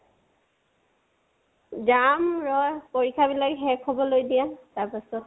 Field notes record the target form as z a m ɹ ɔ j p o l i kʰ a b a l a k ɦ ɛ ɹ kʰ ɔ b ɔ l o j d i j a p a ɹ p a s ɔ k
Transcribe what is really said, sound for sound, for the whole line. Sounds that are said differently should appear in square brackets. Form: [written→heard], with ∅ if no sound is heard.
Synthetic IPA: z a m ɹ ɔ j p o [l→ɹ] i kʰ a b [a→i] l a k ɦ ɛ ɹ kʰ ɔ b ɔ l o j d i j a [p→t] a ɹ p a s ɔ [k→t]

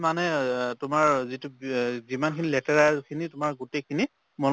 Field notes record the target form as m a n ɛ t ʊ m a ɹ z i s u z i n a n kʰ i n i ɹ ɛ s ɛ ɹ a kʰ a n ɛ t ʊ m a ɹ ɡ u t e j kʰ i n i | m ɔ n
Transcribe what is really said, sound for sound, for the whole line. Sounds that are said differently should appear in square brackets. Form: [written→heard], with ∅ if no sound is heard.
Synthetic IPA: m a n ɛ t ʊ m a ɹ z i [s→t] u z i [n→m] a n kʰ i n i [ɹ→l] ɛ [s→t] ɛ ɹ a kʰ [a→i] n [ɛ→i] t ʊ m a ɹ ɡ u t e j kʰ i n i | m ɔ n

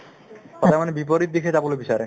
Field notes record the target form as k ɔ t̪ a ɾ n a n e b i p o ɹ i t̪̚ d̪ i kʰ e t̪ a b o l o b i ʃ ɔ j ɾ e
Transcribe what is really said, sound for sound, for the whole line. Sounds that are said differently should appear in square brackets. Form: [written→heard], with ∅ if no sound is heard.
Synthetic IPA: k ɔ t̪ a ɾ [n→m] a n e b i p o [ɹ→ɾ] i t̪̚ d̪ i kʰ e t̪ a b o l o b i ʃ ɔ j ɾ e

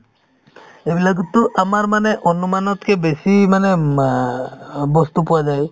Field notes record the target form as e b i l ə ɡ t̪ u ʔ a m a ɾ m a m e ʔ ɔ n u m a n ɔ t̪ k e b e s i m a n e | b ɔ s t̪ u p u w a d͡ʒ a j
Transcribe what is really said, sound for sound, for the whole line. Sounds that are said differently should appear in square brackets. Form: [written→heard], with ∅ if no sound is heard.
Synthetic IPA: e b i l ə ɡ t̪ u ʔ a m a ɾ m a [m→n] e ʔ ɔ n u m a n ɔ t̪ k e b e s i m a n e | b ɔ s t̪ u p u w a d͡ʒ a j

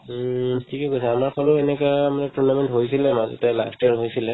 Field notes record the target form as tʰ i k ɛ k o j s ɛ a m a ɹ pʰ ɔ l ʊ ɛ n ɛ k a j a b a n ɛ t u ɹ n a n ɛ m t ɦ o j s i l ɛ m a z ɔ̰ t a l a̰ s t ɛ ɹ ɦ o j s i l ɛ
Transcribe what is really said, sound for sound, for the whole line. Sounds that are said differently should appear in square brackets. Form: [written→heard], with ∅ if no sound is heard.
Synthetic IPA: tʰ i k ɛ k o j s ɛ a m a ɹ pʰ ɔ l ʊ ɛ n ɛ k a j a [b→m] a n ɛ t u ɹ n a [n→m] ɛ [m→n] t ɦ o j s i l ɛ m a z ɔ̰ t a l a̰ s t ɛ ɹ ɦ o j s i l ɛ

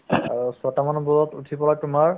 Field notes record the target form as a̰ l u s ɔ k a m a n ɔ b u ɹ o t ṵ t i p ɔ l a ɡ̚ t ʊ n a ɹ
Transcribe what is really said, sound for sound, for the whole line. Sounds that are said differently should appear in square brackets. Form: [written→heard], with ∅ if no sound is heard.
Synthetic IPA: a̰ [l→ɹ] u s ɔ [k→t] a m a n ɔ b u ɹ [o→ɔ] t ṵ [t→tʰ] i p ɔ l a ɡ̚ t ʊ [n→m] a ɹ

